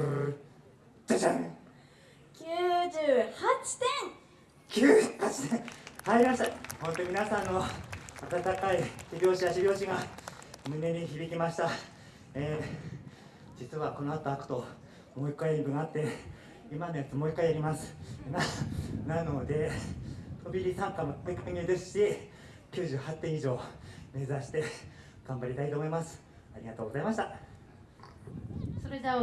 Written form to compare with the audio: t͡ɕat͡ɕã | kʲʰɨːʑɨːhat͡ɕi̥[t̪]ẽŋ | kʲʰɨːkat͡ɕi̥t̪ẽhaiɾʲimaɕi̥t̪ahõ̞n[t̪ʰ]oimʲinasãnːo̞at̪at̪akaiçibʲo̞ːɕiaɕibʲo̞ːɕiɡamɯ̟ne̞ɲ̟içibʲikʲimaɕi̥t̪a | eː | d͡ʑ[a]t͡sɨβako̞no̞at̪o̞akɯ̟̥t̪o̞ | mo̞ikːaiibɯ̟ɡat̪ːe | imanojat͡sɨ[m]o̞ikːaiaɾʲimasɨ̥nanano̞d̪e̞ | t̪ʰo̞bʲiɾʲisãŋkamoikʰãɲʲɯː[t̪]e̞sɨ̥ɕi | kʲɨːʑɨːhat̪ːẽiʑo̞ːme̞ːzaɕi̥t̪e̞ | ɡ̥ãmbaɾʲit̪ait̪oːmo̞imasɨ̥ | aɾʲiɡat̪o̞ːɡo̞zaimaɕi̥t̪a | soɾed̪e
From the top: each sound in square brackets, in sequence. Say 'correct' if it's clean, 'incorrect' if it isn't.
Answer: correct, incorrect, incorrect, correct, incorrect

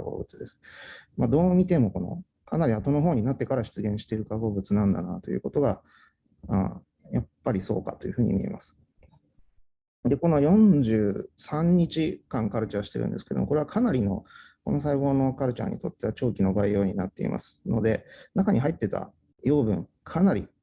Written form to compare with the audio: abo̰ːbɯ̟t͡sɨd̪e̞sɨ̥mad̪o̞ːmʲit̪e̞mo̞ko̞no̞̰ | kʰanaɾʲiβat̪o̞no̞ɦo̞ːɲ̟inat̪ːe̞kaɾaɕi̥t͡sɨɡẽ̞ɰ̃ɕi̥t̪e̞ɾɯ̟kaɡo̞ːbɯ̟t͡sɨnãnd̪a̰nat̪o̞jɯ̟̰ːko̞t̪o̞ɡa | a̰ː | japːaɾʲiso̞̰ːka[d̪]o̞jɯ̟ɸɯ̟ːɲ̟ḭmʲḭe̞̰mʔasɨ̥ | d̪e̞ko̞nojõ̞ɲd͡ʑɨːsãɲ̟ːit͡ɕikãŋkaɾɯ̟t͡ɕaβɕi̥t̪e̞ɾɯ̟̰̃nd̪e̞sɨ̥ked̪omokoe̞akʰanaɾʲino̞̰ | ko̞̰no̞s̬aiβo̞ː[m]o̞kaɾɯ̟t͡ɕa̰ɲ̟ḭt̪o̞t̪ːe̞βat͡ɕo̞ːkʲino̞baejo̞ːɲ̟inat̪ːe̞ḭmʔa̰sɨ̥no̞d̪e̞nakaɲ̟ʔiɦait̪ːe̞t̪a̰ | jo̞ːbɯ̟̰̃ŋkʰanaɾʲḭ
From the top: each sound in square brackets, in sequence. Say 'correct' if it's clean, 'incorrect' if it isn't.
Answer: incorrect, incorrect

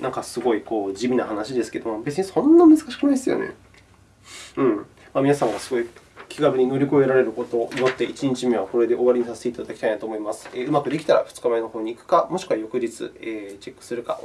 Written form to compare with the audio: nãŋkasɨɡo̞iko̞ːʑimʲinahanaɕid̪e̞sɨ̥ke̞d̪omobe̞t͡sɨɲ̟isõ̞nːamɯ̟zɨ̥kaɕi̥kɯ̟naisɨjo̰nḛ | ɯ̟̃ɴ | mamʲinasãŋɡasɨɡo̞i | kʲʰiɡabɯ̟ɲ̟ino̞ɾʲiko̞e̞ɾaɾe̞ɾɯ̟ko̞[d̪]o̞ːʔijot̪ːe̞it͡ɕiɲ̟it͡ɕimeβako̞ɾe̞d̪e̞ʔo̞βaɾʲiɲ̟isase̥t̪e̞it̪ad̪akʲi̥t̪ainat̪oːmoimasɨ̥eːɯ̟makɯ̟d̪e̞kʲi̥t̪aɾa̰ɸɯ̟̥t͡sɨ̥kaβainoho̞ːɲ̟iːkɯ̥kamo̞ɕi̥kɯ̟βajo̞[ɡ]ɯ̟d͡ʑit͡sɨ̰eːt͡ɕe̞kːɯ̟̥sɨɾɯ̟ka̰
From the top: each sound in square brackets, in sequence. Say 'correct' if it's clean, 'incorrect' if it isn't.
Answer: incorrect, incorrect

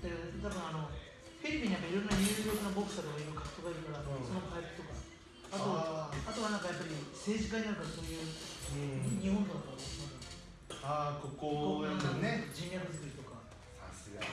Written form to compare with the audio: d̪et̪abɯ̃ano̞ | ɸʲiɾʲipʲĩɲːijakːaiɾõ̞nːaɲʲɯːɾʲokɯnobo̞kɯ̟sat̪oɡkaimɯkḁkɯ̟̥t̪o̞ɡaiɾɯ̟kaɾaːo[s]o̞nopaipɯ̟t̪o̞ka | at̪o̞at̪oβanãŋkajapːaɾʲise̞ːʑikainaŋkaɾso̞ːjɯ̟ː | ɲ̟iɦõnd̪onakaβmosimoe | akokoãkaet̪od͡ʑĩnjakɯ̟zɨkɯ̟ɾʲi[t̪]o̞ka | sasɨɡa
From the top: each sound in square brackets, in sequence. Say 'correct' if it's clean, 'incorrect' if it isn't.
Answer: correct, correct

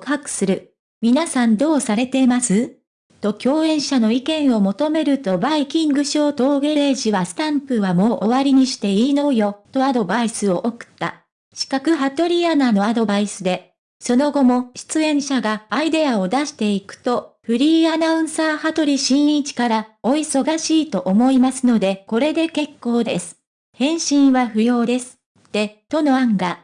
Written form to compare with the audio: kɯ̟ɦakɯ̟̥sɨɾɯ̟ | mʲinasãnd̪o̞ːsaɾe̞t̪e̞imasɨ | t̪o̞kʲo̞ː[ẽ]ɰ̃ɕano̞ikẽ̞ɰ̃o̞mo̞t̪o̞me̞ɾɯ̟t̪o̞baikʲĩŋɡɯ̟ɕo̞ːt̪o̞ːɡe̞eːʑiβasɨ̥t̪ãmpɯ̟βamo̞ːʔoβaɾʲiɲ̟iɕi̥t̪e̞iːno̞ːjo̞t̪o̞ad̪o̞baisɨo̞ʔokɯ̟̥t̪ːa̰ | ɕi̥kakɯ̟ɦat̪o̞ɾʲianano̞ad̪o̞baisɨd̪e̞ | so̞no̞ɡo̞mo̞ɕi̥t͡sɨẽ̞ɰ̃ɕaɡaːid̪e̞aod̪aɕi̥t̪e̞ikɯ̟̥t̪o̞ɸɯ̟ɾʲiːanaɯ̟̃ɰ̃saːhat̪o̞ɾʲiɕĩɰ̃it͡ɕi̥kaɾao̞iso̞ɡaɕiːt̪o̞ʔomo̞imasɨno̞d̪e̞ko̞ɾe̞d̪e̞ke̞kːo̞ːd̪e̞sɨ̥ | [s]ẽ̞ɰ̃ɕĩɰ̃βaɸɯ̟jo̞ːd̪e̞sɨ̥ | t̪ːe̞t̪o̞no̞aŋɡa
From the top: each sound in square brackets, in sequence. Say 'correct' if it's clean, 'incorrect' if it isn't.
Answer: correct, incorrect

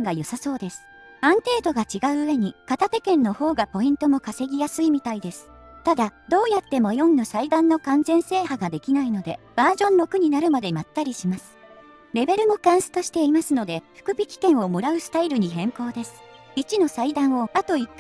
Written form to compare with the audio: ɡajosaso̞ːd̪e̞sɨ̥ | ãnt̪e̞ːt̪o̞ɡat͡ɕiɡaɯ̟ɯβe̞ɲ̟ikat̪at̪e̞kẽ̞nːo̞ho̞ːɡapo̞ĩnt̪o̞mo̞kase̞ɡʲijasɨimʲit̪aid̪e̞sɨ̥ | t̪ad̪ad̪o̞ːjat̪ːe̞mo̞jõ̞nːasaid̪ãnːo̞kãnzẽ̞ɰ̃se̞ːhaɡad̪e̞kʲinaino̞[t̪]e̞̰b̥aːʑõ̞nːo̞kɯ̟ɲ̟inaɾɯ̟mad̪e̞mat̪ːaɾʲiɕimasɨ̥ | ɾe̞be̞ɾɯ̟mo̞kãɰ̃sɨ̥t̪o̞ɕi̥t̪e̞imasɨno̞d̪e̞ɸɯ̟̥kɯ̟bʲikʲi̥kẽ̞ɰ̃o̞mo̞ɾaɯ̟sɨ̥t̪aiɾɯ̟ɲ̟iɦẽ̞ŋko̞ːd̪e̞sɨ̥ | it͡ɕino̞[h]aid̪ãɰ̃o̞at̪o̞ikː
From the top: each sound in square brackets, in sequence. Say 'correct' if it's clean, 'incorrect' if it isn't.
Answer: incorrect, incorrect

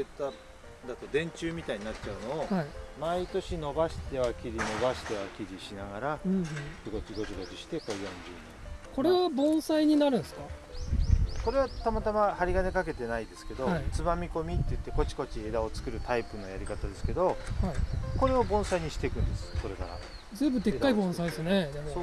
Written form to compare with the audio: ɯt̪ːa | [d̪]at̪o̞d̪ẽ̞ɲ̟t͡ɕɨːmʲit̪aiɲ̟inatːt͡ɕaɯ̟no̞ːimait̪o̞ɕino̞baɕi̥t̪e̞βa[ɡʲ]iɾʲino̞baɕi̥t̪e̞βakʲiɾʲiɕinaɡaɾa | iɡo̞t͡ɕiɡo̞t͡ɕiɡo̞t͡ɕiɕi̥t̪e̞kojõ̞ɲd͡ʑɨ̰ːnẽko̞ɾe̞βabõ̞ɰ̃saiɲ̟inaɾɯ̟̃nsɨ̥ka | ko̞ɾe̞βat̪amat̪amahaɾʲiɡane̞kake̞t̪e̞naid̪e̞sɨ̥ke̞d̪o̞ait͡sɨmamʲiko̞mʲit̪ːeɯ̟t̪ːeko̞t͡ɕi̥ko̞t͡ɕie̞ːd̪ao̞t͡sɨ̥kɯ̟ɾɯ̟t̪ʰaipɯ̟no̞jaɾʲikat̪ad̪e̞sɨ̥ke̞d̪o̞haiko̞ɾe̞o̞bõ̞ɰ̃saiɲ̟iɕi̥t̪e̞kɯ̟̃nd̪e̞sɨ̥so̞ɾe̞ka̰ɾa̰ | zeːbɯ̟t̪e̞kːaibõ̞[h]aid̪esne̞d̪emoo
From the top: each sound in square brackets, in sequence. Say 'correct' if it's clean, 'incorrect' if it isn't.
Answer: correct, incorrect, incorrect

